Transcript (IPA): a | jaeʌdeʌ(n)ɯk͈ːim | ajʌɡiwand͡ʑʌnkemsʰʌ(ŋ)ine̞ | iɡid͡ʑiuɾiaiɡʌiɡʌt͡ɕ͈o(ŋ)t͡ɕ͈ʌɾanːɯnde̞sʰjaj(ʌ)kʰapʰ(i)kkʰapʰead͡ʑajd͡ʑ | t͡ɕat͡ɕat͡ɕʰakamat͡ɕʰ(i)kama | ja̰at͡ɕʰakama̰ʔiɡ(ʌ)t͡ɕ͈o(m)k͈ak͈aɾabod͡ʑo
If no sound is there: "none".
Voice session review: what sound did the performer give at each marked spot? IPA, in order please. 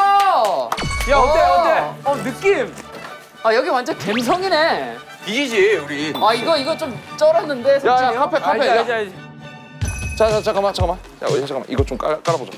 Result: n, ŋ, m, a, e, a, ʌ, m

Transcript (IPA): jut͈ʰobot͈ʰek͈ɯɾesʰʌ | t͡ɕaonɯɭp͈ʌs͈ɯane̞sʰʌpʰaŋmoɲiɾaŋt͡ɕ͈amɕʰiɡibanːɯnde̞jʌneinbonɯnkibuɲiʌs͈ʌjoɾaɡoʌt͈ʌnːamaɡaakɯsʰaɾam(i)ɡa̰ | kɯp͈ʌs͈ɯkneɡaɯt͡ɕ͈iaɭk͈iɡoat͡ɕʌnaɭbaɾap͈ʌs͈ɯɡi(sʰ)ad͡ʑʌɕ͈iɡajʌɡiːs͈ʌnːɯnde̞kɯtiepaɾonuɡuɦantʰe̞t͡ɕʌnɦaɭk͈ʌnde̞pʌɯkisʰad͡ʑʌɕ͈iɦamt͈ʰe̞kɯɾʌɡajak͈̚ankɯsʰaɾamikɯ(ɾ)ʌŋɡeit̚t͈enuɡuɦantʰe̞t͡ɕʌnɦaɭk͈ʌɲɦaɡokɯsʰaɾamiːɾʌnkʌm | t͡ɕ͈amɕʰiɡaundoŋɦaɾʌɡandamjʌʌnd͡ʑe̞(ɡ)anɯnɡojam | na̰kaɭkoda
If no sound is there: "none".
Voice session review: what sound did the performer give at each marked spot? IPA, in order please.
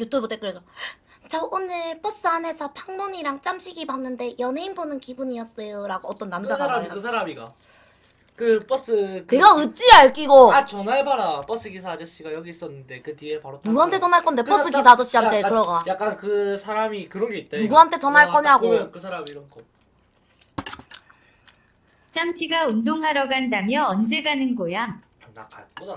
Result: i, sʰ, ɾ, ɡ

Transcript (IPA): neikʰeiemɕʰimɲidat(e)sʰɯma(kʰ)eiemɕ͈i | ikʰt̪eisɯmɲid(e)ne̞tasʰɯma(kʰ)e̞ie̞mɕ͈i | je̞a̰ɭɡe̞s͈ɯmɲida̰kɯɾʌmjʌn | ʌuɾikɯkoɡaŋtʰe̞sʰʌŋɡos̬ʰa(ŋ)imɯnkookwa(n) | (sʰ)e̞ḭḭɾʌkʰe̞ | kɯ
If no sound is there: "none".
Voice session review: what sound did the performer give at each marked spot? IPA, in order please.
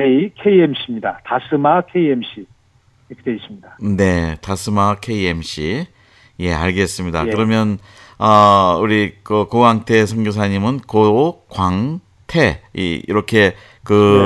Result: a, kʰ, a, kʰ, ɲ, ŋ, tʰ

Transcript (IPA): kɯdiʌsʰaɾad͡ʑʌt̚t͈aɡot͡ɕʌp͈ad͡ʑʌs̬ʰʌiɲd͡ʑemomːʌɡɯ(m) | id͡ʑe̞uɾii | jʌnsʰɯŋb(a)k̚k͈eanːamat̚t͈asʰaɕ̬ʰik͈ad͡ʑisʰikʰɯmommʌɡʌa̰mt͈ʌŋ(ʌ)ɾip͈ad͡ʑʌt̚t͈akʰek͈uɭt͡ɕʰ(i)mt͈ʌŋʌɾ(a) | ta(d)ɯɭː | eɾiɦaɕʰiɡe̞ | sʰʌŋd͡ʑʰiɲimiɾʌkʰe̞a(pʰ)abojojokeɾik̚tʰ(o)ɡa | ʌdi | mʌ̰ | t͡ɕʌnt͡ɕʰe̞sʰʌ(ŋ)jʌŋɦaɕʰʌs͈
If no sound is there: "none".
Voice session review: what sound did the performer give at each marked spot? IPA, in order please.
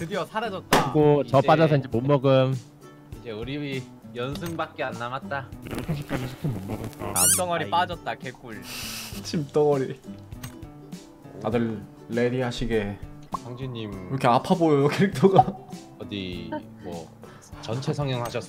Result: m, a, ʌ, i, i, d, pʰ, o, ŋ

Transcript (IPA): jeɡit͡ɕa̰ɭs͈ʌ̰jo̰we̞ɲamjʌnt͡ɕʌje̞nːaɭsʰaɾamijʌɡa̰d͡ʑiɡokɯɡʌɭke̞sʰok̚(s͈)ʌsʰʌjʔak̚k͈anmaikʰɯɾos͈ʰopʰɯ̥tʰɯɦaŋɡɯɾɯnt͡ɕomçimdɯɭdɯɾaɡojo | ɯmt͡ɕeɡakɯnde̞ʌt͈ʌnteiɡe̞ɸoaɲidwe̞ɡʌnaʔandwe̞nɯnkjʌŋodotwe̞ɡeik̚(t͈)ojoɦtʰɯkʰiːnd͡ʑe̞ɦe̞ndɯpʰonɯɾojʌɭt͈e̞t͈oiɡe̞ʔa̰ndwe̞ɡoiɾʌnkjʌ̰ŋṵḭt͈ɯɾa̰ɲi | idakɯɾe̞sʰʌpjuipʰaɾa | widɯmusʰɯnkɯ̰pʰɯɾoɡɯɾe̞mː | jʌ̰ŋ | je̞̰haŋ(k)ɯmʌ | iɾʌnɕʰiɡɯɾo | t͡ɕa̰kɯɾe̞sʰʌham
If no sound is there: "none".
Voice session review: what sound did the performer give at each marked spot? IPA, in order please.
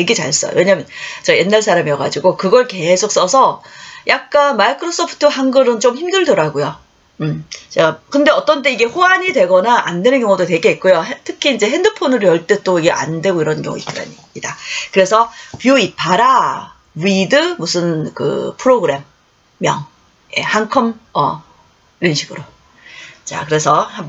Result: s͈, k͈, kʰ

